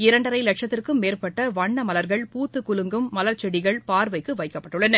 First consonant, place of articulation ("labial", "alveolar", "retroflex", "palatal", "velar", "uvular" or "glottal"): alveolar